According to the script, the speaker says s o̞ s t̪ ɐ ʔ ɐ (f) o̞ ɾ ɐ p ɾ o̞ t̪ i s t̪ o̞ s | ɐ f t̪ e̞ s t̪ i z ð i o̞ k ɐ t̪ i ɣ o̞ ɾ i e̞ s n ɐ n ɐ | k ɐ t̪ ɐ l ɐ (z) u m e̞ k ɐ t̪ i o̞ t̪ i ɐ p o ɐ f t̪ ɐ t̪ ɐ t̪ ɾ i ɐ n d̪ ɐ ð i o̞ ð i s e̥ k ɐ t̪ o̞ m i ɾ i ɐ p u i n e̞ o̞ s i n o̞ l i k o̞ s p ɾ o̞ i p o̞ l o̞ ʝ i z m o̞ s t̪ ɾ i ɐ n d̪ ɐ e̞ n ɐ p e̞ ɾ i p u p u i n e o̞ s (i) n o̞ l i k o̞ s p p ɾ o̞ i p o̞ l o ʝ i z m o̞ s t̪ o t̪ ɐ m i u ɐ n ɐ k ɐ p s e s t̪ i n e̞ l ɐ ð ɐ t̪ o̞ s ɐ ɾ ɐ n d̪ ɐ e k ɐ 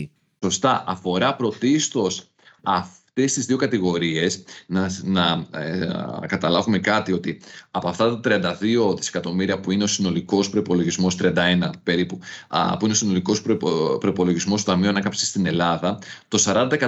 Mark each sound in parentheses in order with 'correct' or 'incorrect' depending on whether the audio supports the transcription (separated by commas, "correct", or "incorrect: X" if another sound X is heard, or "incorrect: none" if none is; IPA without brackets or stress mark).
correct, incorrect: v, correct